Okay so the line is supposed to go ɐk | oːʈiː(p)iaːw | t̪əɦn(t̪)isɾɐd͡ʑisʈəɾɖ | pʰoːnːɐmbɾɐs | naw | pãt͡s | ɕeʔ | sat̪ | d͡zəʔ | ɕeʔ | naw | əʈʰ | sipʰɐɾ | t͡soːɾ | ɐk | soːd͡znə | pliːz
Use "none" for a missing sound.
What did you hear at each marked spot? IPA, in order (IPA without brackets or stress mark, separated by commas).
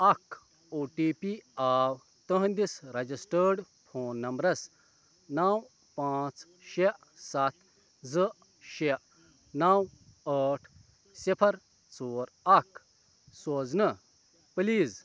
p, d̪